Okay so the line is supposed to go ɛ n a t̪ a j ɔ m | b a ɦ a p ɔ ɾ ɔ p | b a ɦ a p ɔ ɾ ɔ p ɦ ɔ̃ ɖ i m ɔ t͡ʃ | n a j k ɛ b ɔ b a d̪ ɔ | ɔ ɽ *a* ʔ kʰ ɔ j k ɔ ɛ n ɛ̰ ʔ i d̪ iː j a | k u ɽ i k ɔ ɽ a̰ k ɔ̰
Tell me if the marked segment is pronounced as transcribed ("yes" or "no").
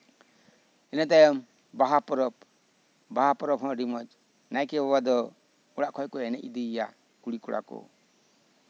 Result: yes